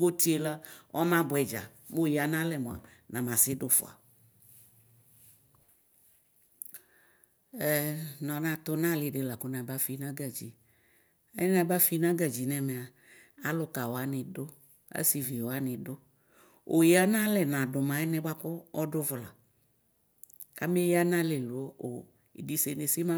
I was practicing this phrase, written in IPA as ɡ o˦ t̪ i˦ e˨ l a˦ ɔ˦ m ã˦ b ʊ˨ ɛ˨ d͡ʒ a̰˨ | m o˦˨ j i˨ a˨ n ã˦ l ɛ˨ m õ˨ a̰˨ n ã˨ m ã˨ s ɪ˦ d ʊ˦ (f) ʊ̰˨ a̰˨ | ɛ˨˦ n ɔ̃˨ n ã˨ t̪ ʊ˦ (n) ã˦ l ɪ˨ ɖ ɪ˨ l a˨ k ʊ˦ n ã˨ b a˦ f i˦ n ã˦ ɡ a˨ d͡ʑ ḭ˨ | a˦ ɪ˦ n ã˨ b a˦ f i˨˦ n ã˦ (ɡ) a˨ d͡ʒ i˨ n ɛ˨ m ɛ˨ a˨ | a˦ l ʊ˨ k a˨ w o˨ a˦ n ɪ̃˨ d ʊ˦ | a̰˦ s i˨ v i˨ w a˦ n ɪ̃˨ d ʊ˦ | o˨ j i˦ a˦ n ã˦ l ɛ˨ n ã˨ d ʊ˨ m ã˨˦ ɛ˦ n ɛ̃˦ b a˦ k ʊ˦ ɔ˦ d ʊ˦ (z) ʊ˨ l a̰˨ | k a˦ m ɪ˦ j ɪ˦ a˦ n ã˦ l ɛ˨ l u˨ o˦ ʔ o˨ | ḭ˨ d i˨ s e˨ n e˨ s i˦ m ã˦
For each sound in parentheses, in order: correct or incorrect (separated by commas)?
correct, correct, correct, incorrect